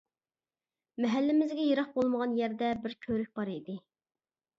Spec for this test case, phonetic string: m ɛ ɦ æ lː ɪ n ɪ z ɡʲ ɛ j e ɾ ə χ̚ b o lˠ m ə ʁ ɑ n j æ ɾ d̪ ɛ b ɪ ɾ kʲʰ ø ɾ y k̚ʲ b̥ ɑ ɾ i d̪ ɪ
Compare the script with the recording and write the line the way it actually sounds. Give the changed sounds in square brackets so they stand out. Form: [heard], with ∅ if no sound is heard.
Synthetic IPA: m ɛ ɦ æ lː ɪ [m] ɪ z ɡʲ ɛ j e ɾ [ɑ] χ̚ b o lˠ m ə ʁ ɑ n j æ ɾ d̪ ɛ b ɪ ɾ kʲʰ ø ɾ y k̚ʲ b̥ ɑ ɾ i d̪ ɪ